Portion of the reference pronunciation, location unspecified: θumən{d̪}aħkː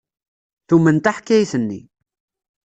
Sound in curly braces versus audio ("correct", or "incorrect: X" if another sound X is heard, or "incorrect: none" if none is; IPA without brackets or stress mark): incorrect: t̪